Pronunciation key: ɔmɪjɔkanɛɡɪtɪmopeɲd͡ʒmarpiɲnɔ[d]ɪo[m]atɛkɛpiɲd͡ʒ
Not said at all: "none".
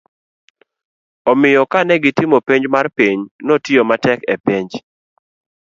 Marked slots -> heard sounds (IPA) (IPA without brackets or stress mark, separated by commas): t, m